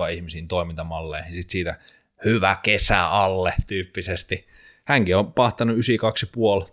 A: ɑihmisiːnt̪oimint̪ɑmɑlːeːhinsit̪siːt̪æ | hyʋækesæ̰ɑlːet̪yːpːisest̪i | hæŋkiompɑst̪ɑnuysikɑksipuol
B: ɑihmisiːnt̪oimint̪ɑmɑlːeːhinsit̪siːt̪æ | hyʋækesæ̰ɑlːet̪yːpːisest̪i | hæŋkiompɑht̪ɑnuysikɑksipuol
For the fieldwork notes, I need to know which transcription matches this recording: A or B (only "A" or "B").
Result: B